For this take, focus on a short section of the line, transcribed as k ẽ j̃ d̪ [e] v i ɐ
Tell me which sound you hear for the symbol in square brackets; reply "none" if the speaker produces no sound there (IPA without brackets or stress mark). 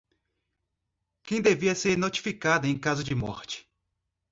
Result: e